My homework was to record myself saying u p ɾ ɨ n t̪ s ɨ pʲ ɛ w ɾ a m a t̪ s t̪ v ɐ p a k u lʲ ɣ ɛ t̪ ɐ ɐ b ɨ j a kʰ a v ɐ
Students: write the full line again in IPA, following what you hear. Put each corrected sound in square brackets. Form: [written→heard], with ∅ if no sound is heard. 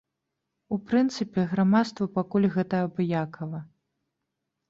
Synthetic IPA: u p ɾ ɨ n t̪ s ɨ pʲ ɛ [w→ɣ] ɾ a m a t̪ s t̪ v ɐ p a k u lʲ ɣ ɛ t̪ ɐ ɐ b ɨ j a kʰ [a→ɐ] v ɐ